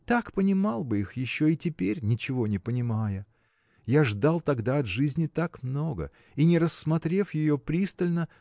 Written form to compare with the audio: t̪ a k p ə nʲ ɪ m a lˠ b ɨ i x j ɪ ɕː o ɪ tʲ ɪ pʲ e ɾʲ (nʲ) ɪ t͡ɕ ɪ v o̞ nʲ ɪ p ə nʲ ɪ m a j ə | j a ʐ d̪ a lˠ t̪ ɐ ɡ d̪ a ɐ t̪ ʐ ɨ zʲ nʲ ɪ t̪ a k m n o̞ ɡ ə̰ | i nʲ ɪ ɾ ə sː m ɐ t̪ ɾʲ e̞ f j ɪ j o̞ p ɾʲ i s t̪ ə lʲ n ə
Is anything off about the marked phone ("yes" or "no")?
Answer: no